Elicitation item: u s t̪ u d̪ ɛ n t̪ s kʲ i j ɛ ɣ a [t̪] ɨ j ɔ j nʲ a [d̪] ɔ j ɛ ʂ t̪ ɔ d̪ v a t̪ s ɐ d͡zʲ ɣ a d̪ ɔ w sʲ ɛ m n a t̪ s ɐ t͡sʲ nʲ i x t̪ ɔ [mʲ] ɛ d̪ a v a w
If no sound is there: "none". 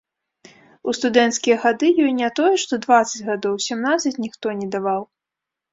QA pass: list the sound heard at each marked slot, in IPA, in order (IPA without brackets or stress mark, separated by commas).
d̪, t̪, nʲ